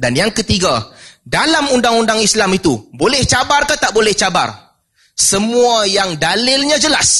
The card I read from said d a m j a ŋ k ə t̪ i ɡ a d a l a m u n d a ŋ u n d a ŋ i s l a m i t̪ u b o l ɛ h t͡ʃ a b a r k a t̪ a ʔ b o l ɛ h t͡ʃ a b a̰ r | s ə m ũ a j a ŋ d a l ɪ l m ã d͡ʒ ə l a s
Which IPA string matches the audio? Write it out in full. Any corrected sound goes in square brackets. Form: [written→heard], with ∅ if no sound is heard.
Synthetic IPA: d a [m→n] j a ŋ k ə t̪ i ɡ a d a l a m u n d a ŋ u n d a ŋ i s l a m i t̪ u b o l ɛ h t͡ʃ a b a r k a t̪ a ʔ b o l ɛ h t͡ʃ a b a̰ r | s ə m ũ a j a ŋ d a l ɪ l [m→ɲ] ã d͡ʒ ə l a s